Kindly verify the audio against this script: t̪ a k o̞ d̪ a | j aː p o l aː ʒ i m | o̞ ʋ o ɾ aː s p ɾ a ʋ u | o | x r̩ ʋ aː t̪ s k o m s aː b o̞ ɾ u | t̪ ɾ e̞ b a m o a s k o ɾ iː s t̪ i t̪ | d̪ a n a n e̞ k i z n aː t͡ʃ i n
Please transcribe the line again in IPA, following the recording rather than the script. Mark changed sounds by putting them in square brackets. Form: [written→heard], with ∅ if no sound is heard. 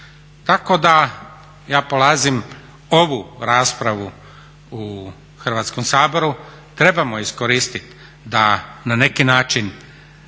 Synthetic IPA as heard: t̪ a k o̞ d̪ a | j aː p o l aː [ʒ→z] i m | o̞ ʋ [o→u] ɾ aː s p ɾ a ʋ u | [o→u] | x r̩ ʋ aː t̪ s k o m s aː b o̞ ɾ u | t̪ ɾ e̞ b a m o [a→i] s k o ɾ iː s t̪ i t̪ | d̪ a n a n e̞ k i [z→∅] n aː t͡ʃ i n